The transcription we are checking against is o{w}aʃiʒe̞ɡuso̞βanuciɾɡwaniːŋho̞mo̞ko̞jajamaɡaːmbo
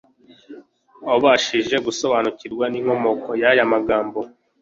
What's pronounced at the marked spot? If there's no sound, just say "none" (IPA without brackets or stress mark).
β